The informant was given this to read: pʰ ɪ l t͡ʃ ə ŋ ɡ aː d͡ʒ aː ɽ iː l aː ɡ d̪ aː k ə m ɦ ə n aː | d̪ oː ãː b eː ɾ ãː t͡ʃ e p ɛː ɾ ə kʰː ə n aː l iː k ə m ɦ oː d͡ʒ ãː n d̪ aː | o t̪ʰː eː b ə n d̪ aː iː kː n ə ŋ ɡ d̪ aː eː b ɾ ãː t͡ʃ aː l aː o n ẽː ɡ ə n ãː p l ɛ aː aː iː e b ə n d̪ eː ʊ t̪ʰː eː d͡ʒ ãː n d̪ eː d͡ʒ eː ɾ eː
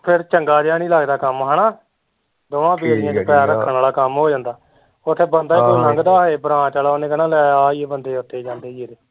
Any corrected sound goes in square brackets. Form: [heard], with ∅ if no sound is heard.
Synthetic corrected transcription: pʰ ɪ [ɾ] t͡ʃ ə ŋ ɡ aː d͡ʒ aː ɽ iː l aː ɡ d̪ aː k ə m ɦ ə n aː | d̪ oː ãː b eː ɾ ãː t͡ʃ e p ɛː ɾ ə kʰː ə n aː l [aː] k ə m ɦ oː d͡ʒ ãː n d̪ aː | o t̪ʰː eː b ə n d̪ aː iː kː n ə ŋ ɡ d̪ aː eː b ɾ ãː t͡ʃ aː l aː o n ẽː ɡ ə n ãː [∅] l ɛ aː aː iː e b ə n d̪ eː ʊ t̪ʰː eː d͡ʒ ãː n d̪ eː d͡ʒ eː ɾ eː